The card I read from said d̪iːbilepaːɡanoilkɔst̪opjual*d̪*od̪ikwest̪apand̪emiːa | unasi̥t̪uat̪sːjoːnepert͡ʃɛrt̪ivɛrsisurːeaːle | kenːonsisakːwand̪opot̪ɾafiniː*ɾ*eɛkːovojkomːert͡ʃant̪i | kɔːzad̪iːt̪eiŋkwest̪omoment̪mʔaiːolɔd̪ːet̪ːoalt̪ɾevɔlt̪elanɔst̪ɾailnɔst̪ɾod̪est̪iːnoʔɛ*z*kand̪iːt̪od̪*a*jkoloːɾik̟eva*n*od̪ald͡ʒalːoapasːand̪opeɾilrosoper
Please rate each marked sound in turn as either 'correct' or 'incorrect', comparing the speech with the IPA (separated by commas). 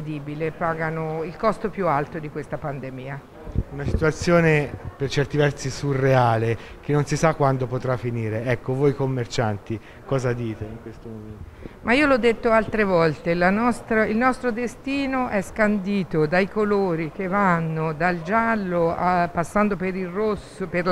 incorrect, correct, incorrect, correct, incorrect